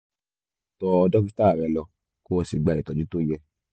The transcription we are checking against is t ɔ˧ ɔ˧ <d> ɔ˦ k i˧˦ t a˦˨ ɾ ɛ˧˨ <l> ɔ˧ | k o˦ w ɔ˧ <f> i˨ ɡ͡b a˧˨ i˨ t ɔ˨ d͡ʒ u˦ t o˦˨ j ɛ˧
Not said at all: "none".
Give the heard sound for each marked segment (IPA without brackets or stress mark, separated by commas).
d, l, s